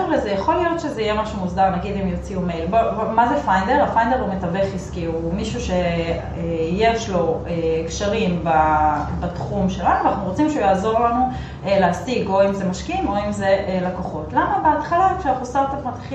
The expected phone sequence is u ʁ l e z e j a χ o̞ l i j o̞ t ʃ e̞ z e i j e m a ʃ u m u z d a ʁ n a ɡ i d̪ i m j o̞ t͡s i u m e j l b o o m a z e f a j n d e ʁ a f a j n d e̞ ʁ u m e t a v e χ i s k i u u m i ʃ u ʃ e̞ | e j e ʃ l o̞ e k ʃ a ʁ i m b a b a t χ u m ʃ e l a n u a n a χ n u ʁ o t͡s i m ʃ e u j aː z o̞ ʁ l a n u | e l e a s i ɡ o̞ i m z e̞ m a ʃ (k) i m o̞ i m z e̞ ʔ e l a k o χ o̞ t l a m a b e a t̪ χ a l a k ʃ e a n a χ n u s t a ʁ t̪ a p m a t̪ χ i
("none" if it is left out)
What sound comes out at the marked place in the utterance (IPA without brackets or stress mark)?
k